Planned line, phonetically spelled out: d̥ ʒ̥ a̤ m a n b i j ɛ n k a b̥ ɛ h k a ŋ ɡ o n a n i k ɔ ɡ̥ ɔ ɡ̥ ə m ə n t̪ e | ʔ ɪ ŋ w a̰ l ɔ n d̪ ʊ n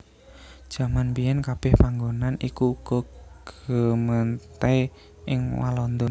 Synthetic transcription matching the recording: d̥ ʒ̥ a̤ m a n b i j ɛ n k a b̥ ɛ h p a ŋ ɡ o n a n i k u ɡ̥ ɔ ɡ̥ ə m ə n t̪ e | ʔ ɪ ŋ w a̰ l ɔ n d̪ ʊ n